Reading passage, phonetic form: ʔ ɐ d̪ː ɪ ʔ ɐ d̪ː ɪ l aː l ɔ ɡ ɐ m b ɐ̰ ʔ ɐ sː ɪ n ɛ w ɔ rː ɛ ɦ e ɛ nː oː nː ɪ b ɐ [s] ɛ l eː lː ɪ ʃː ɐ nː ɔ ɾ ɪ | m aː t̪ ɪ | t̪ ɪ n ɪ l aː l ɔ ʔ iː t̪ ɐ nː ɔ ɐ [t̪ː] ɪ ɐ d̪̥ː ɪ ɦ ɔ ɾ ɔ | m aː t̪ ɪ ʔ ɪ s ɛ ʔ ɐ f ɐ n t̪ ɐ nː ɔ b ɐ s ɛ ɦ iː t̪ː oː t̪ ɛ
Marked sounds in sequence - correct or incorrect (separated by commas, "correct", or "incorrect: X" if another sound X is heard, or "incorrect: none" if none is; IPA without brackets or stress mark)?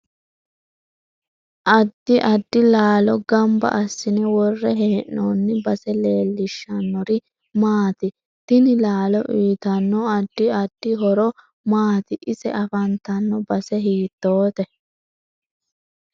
correct, incorrect: d̪ː